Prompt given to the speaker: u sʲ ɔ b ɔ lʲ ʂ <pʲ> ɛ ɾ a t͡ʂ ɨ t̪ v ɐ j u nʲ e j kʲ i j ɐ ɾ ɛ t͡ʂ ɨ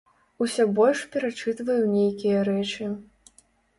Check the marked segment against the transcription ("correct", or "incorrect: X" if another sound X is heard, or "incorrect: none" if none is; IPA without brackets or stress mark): correct